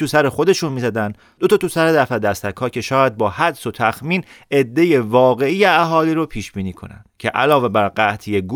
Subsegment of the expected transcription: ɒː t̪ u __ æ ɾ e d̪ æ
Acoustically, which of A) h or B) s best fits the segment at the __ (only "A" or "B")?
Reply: B